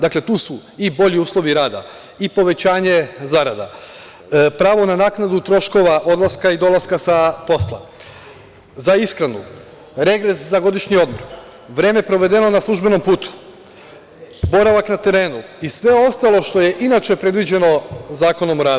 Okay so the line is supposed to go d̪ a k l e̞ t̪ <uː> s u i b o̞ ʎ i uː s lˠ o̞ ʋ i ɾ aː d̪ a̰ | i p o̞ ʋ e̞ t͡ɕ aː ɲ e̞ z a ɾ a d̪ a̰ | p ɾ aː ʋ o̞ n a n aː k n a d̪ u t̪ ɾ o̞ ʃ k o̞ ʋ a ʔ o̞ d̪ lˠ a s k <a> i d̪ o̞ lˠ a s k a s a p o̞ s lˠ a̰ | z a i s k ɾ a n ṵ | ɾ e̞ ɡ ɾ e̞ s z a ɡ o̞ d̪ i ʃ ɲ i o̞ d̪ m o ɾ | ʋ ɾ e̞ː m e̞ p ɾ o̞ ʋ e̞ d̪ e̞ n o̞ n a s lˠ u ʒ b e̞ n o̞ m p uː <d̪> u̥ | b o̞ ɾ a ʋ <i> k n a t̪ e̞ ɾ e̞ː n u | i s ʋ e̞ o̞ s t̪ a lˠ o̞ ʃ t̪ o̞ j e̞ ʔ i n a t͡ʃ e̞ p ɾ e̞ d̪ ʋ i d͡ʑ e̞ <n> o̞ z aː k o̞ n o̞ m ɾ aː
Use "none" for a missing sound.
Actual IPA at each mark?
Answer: uː, a, t̪, a, n

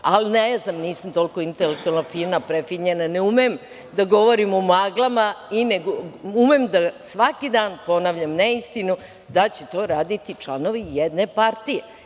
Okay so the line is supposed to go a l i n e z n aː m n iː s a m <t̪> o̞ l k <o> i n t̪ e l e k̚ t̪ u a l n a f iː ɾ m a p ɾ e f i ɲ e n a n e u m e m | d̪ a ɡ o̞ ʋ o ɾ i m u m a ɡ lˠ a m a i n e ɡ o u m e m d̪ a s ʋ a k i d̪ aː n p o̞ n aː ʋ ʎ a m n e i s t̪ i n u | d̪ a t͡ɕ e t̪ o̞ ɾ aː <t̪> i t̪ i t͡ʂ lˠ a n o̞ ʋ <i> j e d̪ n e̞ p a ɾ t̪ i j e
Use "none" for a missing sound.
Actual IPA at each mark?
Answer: t̪, o, d̪, i

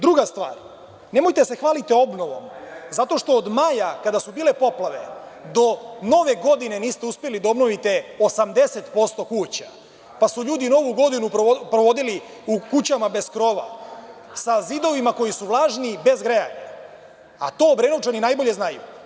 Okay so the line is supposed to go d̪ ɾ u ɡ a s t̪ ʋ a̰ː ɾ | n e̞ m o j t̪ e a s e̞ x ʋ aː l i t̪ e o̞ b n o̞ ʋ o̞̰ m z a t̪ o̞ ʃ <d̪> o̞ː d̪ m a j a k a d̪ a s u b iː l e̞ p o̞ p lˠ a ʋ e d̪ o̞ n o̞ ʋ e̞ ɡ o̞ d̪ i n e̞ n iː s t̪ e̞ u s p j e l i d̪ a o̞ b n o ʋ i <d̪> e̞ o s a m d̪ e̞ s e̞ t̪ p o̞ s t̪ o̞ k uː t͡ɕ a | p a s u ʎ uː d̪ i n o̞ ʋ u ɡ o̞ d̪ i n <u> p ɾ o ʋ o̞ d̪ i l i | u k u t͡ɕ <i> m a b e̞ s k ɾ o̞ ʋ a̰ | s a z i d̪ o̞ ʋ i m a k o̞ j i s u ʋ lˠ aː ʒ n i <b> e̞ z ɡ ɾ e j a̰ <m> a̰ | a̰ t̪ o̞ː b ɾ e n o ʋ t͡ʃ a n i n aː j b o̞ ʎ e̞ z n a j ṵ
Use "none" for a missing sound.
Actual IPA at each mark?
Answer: t̪, t̪, u, a, b, ɲ

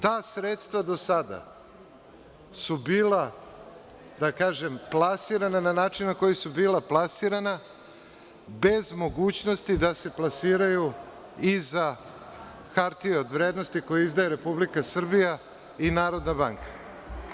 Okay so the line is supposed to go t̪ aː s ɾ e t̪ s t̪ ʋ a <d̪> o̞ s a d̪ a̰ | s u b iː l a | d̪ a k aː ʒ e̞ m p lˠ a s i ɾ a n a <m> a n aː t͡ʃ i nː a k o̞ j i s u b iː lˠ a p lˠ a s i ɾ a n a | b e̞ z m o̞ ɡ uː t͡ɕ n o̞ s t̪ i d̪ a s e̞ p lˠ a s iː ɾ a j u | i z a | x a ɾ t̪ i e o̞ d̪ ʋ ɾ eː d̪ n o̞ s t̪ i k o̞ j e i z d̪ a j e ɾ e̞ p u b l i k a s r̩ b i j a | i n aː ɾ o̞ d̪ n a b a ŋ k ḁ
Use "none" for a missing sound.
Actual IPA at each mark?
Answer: d̪, n

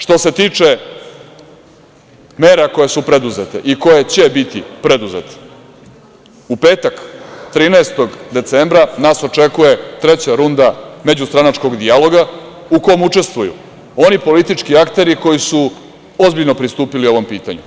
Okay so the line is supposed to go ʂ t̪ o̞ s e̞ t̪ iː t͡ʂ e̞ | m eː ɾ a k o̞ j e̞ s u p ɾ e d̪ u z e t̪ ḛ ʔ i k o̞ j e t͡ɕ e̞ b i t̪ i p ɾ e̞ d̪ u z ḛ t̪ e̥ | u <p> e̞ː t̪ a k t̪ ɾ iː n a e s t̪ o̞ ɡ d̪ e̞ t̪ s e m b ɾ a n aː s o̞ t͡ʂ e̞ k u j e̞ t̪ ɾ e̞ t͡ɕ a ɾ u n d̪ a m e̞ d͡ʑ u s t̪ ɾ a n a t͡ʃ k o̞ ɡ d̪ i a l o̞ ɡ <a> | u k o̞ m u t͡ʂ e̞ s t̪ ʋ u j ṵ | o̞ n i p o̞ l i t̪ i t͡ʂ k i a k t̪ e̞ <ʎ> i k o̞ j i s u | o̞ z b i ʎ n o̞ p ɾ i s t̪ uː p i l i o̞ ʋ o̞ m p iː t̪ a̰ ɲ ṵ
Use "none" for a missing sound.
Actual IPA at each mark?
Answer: p, a, ɾ

